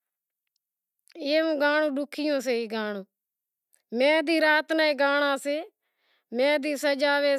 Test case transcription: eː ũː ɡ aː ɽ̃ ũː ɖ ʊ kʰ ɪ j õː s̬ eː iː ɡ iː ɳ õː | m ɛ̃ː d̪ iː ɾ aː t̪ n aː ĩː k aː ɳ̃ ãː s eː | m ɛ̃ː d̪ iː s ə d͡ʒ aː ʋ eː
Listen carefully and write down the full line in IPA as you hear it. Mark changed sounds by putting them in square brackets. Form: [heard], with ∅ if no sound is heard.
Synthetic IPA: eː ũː ɡ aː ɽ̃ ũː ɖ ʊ kʰ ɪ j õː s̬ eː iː ɡ [aː] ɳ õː | m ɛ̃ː d̪ iː ɾ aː t̪ n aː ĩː [ɡ] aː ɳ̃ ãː s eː | m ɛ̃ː d̪ iː s ə d͡ʒ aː ʋ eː